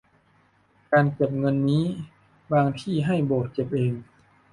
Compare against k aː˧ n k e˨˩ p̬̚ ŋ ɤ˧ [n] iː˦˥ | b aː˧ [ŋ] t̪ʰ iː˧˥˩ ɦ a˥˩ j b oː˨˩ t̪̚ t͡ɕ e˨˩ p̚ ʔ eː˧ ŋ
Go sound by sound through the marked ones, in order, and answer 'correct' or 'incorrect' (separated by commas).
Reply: incorrect, correct